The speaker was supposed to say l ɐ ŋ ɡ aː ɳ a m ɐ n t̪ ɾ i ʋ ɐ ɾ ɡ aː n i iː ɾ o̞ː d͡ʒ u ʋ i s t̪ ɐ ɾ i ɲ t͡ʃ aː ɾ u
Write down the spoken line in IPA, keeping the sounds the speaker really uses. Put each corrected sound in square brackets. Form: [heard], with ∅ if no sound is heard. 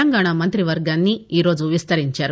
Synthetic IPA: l ɐ ŋ ɡ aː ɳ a m ɐ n t̪ ɾ i ʋ ɐ ɾ ɡ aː [nː] i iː ɾ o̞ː d͡ʒ u ʋ i s t̪ ɐ ɾ i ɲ t͡ʃ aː ɾ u